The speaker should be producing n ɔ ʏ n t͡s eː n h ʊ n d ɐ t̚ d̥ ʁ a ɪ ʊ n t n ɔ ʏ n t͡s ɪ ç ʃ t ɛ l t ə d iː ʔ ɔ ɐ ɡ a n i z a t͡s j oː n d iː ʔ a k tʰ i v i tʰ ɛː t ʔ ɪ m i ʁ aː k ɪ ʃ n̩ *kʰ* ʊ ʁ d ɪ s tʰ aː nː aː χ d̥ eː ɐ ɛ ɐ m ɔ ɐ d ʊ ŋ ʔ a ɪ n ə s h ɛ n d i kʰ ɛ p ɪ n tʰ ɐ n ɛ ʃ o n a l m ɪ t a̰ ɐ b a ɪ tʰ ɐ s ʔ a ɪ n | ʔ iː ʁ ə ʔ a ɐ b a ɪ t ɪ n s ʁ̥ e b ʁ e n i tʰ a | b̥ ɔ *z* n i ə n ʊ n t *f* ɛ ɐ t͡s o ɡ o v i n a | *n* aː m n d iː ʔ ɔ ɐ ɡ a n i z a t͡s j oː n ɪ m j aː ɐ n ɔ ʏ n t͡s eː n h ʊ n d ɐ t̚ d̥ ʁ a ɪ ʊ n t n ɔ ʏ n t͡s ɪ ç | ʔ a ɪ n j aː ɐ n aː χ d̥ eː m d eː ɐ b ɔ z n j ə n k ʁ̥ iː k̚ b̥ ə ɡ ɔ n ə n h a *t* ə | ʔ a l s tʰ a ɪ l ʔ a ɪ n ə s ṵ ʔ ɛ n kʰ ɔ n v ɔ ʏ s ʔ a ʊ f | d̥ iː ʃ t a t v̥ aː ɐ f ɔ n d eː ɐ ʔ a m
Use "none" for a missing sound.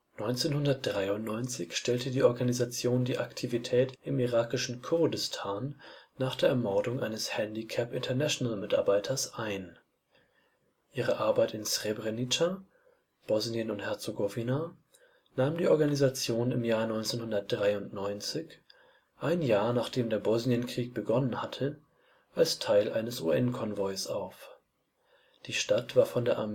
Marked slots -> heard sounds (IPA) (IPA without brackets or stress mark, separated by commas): kʰ, z, h, n, tʰ